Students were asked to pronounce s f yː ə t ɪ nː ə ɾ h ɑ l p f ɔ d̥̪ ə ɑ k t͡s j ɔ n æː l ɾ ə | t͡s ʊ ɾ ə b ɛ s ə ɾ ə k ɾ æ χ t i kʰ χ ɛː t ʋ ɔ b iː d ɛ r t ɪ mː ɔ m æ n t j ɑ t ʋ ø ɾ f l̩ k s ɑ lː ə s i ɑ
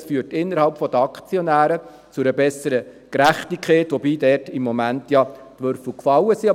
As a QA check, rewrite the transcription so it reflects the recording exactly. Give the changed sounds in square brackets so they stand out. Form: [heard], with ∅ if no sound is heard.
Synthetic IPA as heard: s f yː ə t ɪ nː ə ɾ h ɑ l p f ɔ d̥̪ ə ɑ k t͡s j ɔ n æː [∅] ɾ ə | t͡s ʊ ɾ ə b ɛ s ə ɾ ə k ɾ æ χ t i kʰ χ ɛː t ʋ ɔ b iː d ɛ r t ɪ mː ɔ m æ n t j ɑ t ʋ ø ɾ f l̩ k [f] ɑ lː ə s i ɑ